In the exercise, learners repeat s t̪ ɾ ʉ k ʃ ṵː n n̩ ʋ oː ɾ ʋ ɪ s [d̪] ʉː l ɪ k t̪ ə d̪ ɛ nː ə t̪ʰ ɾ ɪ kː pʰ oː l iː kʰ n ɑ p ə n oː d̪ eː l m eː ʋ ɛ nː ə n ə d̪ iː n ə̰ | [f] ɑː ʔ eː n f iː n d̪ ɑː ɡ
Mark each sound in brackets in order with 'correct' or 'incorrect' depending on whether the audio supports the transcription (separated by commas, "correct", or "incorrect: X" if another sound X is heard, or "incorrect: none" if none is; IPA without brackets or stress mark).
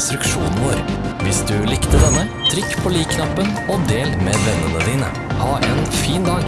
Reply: correct, incorrect: h